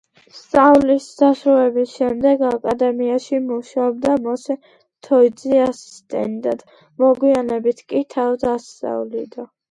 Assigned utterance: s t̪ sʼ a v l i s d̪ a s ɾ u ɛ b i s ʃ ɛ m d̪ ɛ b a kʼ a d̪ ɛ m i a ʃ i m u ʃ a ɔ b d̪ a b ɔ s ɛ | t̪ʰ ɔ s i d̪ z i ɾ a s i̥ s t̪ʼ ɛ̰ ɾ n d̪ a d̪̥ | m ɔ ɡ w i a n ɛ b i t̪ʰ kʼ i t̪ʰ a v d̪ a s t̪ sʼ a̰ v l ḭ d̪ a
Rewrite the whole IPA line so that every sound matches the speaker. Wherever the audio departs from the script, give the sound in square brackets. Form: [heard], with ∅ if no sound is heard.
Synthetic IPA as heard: s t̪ sʼ a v l i s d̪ a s ɾ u ɛ b i s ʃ ɛ m d̪ ɛ [ɡ] a kʼ a d̪ ɛ m i a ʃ i m u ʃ a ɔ b d̪ a [m] ɔ s ɛ | t̪ʰ ɔ [∅] i d̪ z i [∅] a s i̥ s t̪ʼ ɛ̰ [∅] n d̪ a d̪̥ | m ɔ ɡ w i a n ɛ b i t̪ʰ kʼ i t̪ʰ a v d̪ a s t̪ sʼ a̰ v l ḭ d̪ a

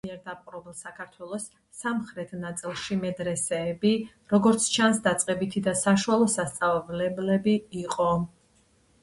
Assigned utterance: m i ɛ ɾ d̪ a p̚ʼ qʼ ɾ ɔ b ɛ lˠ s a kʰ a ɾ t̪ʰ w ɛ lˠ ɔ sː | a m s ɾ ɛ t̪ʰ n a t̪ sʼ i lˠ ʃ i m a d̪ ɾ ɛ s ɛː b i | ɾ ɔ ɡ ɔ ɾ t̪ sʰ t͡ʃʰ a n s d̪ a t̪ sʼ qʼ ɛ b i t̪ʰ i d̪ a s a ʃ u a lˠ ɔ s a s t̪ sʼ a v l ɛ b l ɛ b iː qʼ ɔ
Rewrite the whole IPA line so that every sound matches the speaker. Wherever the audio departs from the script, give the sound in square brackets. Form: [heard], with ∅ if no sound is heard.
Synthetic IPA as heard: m i ɛ ɾ d̪ a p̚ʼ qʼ ɾ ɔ b ɛ lˠ s a kʰ a ɾ t̪ʰ w ɛ lˠ ɔ sː | a m [χ] ɾ ɛ t̪ʰ n a t̪ sʼ i lˠ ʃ i m [ɛ] d̪ ɾ ɛ s ɛː b i | ɾ ɔ ɡ ɔ ɾ t̪ sʰ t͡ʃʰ a n s d̪ a t̪ sʼ qʼ ɛ b i t̪ʰ i d̪ a s a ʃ u a lˠ ɔ s a s t̪ sʼ a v l ɛ b l ɛ b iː qʼ ɔ

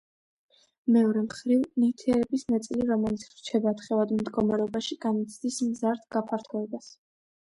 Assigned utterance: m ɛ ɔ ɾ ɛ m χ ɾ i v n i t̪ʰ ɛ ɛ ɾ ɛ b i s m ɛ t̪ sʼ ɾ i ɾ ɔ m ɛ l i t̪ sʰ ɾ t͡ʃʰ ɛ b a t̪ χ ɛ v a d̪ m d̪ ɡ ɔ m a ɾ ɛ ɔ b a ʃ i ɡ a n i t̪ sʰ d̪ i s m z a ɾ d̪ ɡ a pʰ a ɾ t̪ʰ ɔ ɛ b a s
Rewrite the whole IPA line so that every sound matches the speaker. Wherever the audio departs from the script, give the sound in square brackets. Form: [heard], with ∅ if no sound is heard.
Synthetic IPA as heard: m ɛ ɔ ɾ ɛ m χ ɾ i v n i t̪ʰ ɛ ɛ ɾ ɛ b i s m ɛ t̪ sʼ [l] i ɾ ɔ m ɛ l i t̪ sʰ ɾ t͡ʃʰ ɛ b a t̪ χ ɛ v a d̪ m d̪ ɡ ɔ m a ɾ ɛ ɔ b a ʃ i ɡ a n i t̪ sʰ d̪ i s m z a ɾ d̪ ɡ a pʰ a ɾ t̪ʰ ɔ ɛ b a s

